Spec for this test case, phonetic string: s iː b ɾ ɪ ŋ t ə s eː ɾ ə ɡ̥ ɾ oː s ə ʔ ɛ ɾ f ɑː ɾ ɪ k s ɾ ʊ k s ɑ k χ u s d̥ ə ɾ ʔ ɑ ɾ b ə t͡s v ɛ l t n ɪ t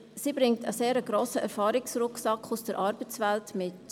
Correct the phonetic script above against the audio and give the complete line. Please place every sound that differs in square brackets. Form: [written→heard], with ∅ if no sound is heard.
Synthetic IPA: s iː b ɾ ɪ ŋ t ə s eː ɾ ə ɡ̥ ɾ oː s ə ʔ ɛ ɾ f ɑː ɾ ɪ k s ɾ ʊ k s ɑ k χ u s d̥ ə ɾ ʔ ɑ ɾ b ə t͡s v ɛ l t [n→m] ɪ t